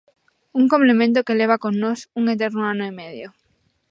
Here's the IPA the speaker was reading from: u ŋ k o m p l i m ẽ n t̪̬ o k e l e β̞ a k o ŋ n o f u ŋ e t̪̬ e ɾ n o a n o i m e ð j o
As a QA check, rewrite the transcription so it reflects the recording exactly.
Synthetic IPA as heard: u ŋ k o m p l e m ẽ n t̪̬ o k e l e β̞ a k o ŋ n o s u ŋ e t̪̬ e ɾ n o a n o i m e ð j o